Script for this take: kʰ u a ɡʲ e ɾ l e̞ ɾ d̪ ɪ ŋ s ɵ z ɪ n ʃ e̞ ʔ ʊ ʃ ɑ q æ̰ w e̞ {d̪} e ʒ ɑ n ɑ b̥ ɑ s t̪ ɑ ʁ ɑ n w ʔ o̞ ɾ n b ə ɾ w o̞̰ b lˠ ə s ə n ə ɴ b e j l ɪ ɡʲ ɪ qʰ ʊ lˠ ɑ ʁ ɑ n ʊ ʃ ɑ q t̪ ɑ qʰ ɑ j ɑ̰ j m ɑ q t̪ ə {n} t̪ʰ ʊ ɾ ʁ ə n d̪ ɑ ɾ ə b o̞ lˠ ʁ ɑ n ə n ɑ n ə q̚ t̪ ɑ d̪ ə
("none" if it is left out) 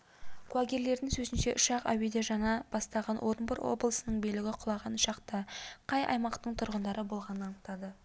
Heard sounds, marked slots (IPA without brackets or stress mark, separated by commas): d̪, ɴ